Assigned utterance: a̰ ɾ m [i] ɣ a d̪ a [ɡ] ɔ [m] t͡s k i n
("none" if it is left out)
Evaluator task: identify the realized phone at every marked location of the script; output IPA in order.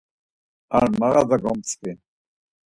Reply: a, ɡ, m

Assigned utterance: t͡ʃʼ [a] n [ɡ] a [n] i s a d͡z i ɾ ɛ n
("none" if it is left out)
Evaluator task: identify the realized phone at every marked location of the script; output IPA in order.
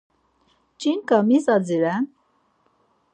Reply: i, k, m

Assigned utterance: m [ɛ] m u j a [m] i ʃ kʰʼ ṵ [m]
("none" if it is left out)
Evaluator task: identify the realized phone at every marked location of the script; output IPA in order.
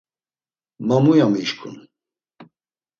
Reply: a, m, n

